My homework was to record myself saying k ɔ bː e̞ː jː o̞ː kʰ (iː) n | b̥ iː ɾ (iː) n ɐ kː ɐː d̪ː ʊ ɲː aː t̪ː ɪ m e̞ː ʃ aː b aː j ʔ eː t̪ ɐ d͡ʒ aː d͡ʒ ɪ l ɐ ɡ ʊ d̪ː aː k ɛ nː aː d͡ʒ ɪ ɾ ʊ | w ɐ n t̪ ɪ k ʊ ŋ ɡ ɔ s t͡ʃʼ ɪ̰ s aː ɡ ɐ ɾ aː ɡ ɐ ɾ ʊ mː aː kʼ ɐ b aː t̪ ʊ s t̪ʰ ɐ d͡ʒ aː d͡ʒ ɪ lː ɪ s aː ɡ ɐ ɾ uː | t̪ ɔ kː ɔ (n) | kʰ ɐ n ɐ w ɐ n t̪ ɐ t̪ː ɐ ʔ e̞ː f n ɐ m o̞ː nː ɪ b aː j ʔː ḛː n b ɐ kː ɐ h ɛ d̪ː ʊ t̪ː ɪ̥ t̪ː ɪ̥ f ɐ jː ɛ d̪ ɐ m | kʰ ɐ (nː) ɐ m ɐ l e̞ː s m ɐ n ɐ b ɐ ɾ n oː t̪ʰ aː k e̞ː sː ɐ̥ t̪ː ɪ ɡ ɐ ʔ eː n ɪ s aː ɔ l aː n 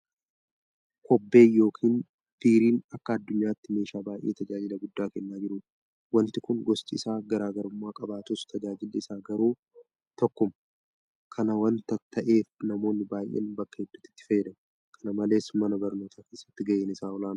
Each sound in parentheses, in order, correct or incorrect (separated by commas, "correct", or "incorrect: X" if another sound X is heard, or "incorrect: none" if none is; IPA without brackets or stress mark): correct, correct, incorrect: m, incorrect: n